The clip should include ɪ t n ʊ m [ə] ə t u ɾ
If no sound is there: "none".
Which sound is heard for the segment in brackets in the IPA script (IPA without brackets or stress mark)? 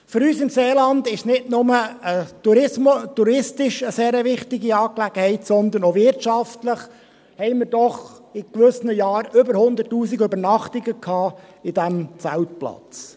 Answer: ə